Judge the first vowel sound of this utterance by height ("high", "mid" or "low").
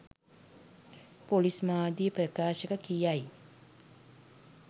mid